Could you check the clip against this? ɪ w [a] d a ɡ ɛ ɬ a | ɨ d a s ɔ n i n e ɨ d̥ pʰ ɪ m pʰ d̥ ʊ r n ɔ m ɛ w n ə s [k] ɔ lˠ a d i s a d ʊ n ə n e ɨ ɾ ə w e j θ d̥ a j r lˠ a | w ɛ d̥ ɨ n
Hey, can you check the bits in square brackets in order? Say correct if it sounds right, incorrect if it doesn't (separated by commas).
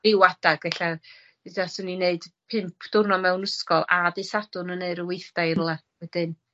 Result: correct, correct